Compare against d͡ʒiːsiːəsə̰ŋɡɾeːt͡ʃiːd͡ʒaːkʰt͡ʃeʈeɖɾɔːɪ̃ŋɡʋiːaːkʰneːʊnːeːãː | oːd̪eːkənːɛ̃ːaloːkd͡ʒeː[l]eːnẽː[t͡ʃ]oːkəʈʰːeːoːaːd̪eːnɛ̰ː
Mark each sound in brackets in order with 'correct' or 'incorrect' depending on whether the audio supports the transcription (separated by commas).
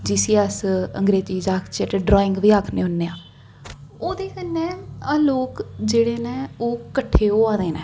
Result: incorrect, incorrect